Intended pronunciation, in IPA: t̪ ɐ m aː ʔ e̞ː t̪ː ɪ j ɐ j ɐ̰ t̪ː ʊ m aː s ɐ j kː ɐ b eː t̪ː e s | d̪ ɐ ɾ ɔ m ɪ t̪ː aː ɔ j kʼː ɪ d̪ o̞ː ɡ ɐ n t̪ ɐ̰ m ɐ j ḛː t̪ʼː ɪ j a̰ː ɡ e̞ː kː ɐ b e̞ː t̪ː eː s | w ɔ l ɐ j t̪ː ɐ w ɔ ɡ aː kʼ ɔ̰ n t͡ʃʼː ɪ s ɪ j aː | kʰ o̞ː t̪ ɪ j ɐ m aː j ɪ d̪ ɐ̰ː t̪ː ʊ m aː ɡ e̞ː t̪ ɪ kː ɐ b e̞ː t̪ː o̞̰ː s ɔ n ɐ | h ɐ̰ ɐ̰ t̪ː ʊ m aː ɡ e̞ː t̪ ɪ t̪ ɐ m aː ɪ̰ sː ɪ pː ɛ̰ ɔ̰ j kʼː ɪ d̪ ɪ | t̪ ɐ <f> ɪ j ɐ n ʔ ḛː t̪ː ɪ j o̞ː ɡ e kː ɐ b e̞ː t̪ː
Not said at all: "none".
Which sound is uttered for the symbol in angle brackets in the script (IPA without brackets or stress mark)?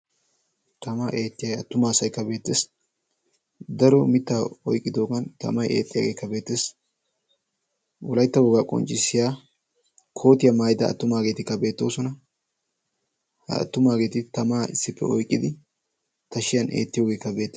ʃ